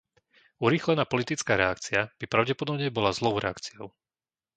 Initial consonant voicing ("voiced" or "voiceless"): voiced